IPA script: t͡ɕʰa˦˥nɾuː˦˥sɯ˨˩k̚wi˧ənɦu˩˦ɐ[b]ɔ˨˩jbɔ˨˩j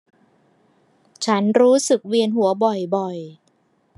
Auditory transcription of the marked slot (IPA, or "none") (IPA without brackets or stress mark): b